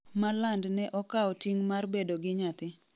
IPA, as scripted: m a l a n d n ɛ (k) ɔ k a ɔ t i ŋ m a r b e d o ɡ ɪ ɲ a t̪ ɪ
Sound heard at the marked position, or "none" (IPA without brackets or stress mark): ʔ